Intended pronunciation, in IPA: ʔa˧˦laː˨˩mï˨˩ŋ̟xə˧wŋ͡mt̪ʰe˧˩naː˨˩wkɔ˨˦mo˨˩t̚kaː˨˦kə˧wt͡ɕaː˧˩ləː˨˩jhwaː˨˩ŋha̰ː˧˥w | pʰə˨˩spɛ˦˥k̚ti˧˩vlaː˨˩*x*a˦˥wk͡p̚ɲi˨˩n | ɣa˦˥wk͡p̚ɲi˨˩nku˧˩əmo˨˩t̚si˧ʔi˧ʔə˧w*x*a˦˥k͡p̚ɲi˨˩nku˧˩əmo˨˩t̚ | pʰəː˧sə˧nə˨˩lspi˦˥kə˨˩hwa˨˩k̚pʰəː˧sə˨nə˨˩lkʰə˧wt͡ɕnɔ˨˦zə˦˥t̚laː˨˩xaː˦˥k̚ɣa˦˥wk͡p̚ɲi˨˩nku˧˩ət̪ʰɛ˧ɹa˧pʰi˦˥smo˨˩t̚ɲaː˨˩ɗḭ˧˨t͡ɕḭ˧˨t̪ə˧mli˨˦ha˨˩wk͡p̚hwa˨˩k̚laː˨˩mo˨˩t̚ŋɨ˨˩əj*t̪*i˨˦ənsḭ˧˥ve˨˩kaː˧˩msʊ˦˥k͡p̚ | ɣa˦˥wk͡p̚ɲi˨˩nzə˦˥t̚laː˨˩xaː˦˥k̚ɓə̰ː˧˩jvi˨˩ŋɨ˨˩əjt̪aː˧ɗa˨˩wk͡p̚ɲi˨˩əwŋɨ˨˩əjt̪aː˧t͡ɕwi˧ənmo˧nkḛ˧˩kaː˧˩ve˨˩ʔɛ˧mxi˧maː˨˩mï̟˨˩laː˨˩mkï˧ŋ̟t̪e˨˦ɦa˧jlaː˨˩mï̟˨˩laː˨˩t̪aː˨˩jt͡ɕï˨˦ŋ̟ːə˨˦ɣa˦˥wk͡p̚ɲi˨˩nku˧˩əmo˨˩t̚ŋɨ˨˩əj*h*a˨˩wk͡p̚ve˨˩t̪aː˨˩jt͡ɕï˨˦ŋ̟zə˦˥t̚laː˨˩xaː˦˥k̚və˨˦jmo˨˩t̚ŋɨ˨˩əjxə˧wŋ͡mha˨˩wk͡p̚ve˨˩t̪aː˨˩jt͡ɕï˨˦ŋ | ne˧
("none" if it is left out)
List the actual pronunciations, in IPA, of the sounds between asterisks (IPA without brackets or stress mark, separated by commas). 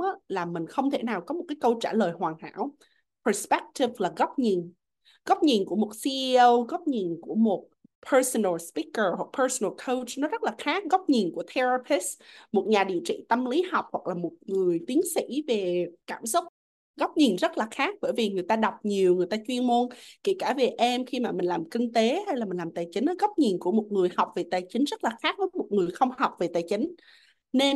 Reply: ɣ, ɣ, t̪, h